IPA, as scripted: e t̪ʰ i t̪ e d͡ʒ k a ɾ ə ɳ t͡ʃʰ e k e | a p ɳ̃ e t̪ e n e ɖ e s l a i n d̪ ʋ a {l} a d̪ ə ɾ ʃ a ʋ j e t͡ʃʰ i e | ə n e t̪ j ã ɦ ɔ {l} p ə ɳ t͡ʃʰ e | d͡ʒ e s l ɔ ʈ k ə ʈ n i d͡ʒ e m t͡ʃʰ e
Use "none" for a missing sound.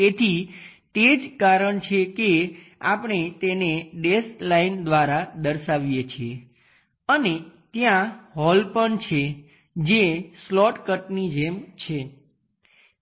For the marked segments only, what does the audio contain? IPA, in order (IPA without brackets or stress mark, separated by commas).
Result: ɾ, l